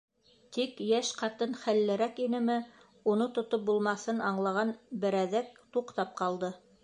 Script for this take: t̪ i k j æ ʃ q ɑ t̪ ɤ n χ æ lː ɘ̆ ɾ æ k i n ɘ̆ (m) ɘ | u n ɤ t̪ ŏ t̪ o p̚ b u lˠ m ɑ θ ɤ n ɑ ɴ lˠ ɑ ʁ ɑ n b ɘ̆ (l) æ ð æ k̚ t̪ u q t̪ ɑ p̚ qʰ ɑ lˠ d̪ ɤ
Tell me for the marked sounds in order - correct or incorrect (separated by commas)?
correct, incorrect